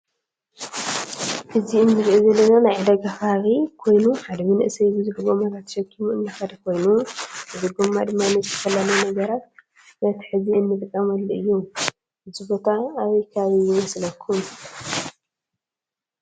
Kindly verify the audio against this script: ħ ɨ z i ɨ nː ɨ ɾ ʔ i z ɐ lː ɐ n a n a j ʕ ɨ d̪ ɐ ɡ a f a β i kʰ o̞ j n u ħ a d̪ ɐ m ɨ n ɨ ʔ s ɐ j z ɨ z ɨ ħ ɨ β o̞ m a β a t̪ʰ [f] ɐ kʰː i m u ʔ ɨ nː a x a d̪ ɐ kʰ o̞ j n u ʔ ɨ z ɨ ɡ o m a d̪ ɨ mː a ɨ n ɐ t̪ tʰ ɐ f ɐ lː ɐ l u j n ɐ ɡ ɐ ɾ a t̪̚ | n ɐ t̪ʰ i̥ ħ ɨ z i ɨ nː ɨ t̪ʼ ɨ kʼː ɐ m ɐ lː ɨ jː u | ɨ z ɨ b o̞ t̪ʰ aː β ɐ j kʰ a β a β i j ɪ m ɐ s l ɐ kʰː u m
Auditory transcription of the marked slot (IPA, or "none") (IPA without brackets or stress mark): ʃ